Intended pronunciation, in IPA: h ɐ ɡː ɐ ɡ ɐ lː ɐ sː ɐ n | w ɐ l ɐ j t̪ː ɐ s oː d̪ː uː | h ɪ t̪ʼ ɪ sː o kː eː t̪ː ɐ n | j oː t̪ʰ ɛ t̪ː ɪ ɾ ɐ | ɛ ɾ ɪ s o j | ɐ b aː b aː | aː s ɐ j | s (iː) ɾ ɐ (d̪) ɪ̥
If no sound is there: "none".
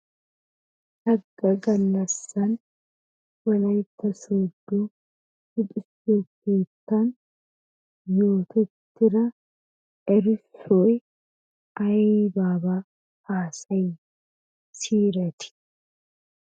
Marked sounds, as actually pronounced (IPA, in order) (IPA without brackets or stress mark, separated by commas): iː, t̪